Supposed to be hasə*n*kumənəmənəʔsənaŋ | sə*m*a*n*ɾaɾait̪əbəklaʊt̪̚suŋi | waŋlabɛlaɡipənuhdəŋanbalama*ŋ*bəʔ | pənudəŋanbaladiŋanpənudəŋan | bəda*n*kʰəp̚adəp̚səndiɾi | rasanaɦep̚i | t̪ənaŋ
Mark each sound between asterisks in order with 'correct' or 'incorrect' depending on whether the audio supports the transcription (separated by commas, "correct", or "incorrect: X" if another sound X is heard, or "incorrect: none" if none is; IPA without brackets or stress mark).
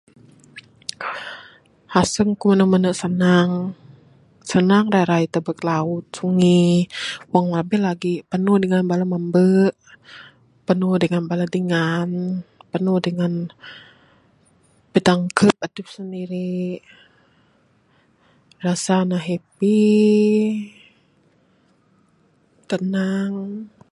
incorrect: ŋ, incorrect: n, incorrect: ŋ, incorrect: m, incorrect: ŋ